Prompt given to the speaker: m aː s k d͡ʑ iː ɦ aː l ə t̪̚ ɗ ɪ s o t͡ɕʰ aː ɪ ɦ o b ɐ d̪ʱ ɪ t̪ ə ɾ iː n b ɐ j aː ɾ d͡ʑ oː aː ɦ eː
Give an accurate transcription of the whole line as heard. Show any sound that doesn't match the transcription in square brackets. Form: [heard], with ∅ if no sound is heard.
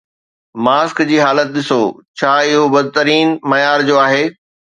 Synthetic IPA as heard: m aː s k d͡ʑ iː ɦ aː l ə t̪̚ ɗ ɪ s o t͡ɕʰ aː ɪ ɦ o b ɐ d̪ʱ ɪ t̪ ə ɾ iː n [m] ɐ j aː ɾ d͡ʑ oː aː ɦ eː